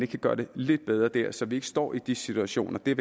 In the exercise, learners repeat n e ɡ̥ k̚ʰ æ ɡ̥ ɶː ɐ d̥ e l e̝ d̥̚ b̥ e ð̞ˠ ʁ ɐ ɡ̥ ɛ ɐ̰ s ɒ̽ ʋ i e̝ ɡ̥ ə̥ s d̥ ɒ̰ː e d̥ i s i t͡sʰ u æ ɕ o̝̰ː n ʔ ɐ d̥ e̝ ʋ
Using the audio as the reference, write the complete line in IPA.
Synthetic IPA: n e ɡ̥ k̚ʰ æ ɡ̥ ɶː ɐ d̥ e l e̝ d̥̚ b̥ e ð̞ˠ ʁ ɐ d̥ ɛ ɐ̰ s ɒ̽ ʋ i e̝ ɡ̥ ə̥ s d̥ ɒ̰ː i d̥ i s i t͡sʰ u æ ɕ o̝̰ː n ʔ ɐ d̥ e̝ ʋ